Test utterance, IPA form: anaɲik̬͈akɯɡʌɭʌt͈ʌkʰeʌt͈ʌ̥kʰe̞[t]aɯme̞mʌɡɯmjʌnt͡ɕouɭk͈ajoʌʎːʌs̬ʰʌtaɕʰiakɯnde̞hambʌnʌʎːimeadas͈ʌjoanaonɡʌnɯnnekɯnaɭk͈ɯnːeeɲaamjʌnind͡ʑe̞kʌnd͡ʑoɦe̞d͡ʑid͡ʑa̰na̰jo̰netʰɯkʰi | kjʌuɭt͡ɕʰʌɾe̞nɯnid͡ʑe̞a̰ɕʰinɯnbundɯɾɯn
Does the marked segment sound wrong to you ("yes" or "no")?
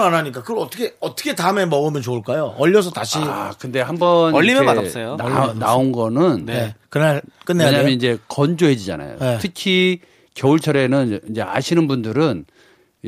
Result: no